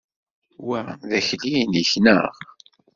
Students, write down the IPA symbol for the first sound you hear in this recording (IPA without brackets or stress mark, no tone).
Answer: w